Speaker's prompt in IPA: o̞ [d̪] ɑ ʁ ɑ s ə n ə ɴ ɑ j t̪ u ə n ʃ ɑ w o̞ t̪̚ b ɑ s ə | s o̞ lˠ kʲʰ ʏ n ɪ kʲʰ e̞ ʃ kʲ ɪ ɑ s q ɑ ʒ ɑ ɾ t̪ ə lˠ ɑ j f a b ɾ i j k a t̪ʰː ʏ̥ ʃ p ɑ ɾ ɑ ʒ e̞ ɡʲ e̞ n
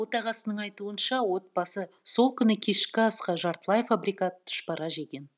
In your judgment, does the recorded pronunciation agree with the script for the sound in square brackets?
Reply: no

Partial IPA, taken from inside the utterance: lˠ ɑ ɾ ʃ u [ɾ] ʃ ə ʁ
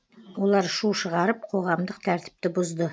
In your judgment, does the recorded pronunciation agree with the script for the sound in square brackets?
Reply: no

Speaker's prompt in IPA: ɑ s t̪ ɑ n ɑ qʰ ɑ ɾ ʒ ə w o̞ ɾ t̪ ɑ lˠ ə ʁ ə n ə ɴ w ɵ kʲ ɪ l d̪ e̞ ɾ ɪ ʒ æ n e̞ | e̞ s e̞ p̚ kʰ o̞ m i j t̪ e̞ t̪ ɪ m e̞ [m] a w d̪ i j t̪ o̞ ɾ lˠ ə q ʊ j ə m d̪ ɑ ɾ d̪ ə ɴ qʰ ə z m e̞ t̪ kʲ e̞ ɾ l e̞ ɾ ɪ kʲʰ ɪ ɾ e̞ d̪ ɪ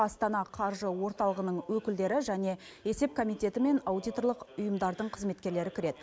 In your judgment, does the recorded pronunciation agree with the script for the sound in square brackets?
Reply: no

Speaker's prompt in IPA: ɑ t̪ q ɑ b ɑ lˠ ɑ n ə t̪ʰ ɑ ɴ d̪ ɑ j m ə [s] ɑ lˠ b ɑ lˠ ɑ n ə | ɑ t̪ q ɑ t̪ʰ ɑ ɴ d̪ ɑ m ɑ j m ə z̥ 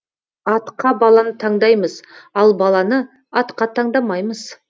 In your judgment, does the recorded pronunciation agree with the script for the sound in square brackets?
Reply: no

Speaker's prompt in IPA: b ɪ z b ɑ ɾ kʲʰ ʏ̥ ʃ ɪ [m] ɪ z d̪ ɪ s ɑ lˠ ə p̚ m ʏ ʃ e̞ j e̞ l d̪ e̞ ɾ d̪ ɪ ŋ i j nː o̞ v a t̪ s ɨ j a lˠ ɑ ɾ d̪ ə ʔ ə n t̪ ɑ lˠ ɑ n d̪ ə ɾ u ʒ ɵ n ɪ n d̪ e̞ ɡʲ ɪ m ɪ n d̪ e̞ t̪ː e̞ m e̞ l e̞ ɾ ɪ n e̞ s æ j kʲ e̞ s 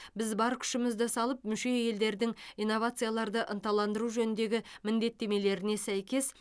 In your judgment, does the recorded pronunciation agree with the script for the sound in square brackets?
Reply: yes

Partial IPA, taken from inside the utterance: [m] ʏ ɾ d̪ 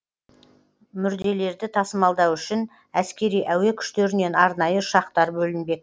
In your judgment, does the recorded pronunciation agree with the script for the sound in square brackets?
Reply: yes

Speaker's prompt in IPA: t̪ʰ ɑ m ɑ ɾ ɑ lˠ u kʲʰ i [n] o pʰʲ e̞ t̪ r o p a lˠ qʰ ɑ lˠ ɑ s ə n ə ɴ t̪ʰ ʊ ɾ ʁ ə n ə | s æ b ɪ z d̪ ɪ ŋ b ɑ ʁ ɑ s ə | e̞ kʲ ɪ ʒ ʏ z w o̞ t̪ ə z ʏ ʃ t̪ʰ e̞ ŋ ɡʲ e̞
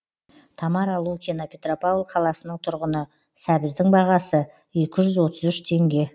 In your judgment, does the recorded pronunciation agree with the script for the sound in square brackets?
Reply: yes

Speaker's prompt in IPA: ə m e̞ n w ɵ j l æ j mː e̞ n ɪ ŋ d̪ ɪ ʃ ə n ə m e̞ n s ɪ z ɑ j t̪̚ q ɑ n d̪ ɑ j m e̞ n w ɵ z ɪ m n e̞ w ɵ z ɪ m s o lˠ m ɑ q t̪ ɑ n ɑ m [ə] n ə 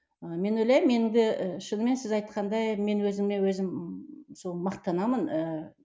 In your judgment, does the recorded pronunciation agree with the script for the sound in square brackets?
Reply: yes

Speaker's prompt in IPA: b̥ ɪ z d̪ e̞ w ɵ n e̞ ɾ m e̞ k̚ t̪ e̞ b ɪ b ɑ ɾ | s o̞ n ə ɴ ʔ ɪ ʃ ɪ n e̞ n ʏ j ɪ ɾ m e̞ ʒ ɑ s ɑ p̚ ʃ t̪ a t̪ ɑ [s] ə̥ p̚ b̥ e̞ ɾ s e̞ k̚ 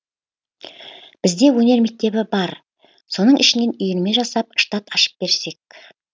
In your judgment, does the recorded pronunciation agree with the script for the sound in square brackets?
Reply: no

